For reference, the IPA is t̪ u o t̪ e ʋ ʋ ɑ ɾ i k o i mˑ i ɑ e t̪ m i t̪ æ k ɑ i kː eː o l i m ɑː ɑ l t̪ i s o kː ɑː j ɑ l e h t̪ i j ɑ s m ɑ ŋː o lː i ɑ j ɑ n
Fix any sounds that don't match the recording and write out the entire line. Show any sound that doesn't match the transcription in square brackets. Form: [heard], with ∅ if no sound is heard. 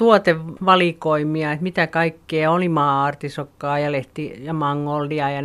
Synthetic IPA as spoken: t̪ u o t̪ e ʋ ʋ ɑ [l] i k o i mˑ i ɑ e t̪ m i t̪ æ k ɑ i kː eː o l i m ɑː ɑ [r] t̪ i s o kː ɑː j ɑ l e h t̪ i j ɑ [∅] m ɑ ŋː o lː i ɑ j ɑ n